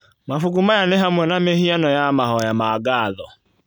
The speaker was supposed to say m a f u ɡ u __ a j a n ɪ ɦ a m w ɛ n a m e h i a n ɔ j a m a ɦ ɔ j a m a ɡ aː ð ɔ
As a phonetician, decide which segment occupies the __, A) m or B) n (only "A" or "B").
A